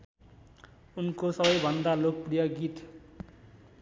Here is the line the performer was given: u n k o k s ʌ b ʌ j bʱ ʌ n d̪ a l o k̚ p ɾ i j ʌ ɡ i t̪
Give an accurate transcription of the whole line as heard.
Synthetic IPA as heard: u n k o s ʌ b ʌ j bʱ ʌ n d̪ a l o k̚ p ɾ i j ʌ ɡ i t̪